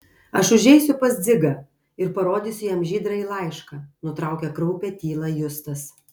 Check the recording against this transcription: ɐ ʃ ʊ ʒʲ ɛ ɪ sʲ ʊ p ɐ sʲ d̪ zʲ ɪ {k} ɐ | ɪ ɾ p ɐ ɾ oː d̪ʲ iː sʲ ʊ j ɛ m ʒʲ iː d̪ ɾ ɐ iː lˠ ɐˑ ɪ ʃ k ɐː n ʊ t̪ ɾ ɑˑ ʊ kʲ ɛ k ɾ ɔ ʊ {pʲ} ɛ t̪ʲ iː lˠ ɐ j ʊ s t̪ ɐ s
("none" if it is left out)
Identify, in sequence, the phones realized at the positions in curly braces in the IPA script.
ɡ, pʲ

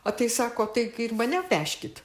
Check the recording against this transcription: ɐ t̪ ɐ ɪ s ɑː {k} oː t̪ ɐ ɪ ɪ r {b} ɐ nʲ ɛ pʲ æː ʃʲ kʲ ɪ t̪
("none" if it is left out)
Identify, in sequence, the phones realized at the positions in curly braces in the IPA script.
k, m

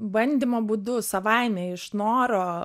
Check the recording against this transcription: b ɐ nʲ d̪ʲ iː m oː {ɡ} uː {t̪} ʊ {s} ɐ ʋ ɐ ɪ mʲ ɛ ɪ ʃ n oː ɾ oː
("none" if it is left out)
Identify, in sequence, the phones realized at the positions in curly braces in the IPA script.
b, d̪, s

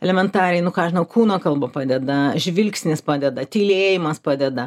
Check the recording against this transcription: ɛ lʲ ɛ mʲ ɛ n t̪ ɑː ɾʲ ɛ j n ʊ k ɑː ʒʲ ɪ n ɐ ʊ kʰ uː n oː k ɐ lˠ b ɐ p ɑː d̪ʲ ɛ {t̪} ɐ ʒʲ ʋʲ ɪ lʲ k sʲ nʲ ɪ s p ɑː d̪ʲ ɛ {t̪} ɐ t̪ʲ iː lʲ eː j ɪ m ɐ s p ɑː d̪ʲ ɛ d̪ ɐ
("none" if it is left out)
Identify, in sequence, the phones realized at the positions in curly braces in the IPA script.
d̪, d̪

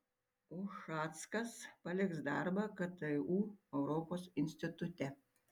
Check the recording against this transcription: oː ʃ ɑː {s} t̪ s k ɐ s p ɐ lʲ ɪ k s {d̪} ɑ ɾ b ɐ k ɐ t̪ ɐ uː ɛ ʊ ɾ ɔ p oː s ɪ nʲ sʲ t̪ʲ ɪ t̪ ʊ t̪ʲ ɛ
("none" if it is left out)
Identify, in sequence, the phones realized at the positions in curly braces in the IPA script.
none, d̪

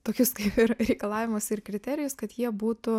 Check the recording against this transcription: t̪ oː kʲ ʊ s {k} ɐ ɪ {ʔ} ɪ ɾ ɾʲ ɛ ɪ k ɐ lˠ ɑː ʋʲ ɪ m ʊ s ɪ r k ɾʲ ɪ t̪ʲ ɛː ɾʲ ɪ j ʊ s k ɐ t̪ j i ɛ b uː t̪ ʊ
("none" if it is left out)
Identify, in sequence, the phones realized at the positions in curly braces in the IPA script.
k, p

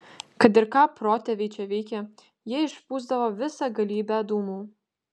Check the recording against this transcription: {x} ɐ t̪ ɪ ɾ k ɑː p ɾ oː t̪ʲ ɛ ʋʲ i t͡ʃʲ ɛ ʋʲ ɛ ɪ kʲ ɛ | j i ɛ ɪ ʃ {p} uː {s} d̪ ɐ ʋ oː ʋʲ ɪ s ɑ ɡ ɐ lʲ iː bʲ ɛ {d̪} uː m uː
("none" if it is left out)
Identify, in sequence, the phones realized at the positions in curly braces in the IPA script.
k, p, z, d̪

